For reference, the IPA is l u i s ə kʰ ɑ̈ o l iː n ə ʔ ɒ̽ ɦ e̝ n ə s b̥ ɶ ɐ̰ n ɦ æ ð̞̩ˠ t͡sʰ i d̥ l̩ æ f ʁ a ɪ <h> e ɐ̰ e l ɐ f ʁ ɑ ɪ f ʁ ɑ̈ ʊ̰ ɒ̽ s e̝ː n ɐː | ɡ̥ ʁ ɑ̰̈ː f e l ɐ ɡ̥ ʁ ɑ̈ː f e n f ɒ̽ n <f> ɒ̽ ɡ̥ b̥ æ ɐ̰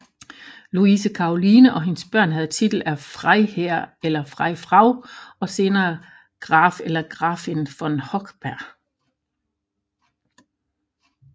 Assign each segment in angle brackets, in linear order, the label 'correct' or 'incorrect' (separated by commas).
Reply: correct, incorrect